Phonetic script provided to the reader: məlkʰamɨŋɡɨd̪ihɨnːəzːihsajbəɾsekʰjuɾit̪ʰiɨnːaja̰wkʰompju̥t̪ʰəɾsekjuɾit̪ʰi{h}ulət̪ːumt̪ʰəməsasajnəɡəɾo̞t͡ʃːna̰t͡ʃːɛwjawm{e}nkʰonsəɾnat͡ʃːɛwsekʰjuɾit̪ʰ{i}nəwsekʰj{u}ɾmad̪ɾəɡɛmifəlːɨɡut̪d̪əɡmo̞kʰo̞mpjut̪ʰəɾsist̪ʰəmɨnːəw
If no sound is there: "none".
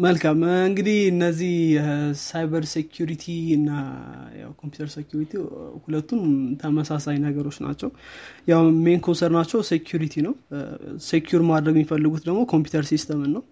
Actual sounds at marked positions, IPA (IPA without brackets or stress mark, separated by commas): h, e, i, u